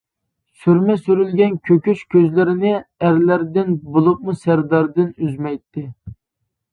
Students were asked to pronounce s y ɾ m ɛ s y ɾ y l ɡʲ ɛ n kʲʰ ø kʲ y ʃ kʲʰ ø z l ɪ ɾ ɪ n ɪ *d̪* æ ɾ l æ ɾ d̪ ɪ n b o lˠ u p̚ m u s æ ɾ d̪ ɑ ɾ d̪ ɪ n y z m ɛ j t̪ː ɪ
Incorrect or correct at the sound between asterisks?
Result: incorrect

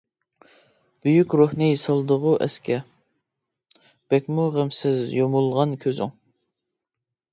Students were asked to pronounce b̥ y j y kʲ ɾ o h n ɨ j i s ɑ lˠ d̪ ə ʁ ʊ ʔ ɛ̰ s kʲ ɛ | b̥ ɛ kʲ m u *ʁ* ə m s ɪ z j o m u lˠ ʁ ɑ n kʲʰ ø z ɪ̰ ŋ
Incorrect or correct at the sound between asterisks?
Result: correct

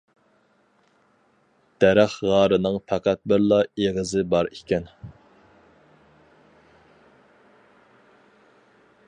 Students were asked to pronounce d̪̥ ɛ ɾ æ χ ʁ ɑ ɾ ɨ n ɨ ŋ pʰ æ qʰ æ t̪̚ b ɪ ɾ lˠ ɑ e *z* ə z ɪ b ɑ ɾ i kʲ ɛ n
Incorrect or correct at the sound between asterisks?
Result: incorrect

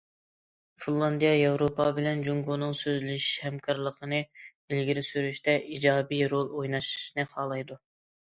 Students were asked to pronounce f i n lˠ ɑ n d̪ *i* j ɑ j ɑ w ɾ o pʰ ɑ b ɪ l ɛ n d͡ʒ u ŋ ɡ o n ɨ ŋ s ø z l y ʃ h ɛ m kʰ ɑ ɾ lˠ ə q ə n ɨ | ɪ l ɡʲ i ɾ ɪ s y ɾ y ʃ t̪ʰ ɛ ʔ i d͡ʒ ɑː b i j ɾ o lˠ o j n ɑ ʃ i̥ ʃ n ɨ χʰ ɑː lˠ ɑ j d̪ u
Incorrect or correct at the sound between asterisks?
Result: correct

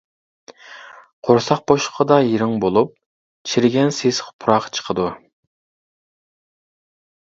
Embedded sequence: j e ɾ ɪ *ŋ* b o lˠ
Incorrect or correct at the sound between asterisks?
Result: correct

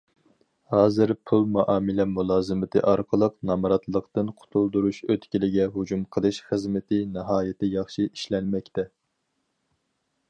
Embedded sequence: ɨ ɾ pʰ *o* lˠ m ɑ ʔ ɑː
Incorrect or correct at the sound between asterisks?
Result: incorrect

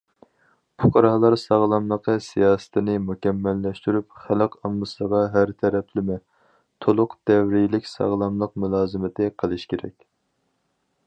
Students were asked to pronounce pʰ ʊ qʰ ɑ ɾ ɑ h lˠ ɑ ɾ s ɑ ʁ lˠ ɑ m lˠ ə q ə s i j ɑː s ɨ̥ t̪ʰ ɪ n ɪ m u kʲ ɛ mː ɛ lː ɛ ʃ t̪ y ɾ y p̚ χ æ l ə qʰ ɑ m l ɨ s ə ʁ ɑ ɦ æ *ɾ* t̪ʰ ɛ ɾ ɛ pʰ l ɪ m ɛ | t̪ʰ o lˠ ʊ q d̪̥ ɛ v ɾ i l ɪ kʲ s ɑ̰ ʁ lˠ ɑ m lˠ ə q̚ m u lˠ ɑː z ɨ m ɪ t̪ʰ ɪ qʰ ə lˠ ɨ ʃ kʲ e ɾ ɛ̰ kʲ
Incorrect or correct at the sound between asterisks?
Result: correct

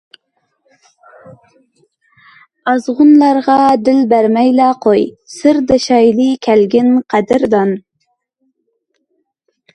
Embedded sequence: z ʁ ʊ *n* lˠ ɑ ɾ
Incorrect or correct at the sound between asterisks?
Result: correct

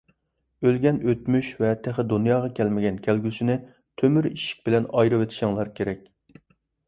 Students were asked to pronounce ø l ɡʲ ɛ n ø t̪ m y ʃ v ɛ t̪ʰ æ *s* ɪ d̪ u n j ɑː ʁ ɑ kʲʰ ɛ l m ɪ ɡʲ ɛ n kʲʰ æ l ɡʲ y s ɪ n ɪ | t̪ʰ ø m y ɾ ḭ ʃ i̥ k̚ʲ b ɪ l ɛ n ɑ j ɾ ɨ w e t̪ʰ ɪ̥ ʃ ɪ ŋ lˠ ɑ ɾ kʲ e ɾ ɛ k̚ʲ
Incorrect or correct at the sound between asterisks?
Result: incorrect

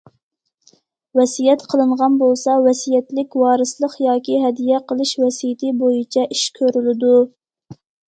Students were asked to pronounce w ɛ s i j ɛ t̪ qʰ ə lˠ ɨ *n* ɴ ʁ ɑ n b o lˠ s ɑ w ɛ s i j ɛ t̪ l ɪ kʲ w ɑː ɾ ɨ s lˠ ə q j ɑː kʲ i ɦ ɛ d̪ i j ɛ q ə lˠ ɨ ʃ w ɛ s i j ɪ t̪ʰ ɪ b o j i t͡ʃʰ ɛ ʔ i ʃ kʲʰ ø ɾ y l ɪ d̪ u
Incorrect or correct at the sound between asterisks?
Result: incorrect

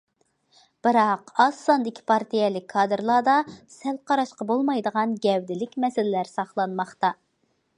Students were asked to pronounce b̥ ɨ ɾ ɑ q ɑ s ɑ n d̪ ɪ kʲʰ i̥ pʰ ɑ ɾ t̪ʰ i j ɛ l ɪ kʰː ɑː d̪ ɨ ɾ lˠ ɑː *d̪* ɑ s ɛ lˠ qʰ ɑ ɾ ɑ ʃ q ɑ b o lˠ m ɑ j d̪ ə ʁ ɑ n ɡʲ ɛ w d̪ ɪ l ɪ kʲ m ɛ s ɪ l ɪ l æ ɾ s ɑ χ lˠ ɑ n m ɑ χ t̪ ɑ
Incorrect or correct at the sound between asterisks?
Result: correct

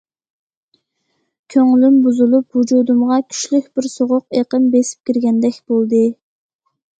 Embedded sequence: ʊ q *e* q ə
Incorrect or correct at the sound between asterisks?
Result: correct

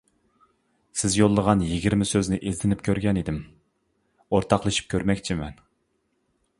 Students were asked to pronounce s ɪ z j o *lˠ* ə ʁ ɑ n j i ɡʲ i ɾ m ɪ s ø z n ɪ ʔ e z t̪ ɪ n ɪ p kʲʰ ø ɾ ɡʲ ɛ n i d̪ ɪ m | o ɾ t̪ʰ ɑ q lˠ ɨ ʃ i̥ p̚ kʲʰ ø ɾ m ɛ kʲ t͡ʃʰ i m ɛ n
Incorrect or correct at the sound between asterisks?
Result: incorrect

